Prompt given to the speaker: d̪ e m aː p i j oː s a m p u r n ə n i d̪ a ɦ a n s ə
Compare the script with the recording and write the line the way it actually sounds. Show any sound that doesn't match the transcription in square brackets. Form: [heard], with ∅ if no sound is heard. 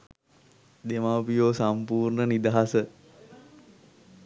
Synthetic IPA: d̪ e m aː p i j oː s a m p [uː] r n ə n i d̪ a ɦ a [∅] s ə

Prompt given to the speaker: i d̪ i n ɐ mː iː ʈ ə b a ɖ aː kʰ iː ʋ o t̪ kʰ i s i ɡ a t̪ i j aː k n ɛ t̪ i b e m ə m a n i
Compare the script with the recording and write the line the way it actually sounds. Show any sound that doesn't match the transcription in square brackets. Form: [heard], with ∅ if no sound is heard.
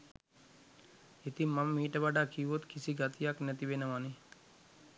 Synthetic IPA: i [t̪] i [m] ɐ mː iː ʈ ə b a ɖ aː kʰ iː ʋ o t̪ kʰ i s i ɡ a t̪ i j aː k n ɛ t̪ i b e [n] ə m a n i

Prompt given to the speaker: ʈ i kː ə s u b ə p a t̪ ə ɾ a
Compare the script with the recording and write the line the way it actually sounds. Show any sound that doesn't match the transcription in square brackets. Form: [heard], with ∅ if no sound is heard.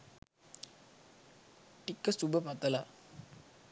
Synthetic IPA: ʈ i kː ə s u b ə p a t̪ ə [l] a

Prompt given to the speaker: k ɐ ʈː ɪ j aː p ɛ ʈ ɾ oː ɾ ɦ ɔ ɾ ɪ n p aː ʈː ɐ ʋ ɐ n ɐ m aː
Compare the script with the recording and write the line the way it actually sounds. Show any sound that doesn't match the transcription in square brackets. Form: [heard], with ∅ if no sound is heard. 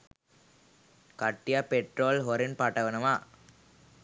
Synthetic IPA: k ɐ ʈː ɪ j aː p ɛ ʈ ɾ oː [l] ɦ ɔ ɾ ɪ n p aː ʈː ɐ ʋ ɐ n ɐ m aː

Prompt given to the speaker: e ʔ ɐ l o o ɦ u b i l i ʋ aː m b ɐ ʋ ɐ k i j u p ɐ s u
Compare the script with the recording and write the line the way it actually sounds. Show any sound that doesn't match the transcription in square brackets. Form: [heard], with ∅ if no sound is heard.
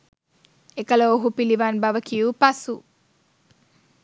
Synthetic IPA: e [k] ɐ l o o ɦ u [p] i l i ʋ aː [n] b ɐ ʋ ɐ k i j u p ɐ s u

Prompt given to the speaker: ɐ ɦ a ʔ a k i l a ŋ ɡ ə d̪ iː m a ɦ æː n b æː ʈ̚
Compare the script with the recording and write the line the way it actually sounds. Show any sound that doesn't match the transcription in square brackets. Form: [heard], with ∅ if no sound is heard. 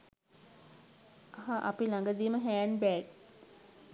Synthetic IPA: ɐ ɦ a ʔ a [p] i l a ŋ ɡ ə d̪ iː m [ə] ɦ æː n b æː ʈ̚

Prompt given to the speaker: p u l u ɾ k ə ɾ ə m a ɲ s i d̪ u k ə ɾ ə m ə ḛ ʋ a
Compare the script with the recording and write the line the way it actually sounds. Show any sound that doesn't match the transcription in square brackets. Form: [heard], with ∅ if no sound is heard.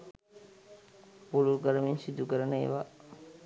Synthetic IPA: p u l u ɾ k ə ɾ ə m [i] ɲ s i d̪ u k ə ɾ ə [n] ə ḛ ʋ a

